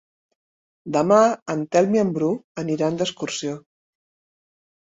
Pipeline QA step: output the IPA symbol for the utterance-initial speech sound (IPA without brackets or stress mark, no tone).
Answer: d̪